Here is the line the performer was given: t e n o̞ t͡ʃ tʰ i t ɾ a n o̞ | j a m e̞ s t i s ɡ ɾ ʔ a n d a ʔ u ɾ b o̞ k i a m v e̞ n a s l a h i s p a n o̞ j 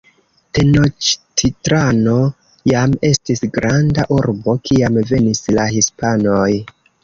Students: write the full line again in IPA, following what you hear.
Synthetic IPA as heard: t e n o̞ t͡ʃ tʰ i t ɾ a n o̞ | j a m e̞ s t i s ɡ ɾ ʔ a n d a ʔ u ɾ b o̞ k i a m v e̞ n i s l a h i s p a n o̞ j